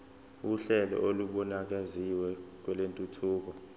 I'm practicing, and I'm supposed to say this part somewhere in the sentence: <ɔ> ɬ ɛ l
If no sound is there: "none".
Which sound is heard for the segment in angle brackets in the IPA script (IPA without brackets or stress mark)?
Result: u